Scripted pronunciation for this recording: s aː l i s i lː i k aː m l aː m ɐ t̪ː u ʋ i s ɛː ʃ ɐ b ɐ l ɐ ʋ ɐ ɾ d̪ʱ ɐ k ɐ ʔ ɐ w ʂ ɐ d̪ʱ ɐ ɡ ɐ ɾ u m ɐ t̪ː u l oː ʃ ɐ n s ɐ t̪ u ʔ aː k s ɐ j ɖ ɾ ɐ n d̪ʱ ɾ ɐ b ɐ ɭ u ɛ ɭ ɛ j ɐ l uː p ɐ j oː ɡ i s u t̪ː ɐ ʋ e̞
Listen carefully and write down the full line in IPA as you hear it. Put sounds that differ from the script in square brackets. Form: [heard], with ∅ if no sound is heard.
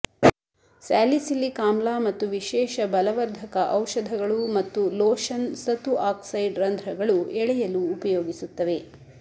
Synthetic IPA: s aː l i s i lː i k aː m l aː m ɐ t̪ː u ʋ i [ʃ] ɛː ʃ ɐ b ɐ l ɐ ʋ ɐ ɾ d̪ʱ ɐ k ɐ ʔ ɐ w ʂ ɐ d̪ʱ ɐ ɡ ɐ [ɭ] u m ɐ t̪ː u l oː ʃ ɐ n s ɐ t̪ u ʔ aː k s ɐ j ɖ ɾ ɐ n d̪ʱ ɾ ɐ [ɡ] ɐ ɭ u ɛ ɭ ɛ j ɐ l uː p ɐ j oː ɡ i s u t̪ː ɐ ʋ e̞